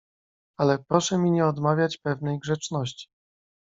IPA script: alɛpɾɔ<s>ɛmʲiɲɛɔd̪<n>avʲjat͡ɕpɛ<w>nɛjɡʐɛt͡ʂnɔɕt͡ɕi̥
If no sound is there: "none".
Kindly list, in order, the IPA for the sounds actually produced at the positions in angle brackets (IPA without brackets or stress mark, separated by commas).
ʂ, m, v